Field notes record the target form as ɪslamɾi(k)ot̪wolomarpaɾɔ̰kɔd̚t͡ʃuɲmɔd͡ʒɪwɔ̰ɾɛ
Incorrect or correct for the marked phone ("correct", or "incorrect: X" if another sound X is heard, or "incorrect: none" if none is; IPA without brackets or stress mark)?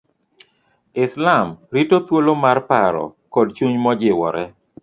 incorrect: t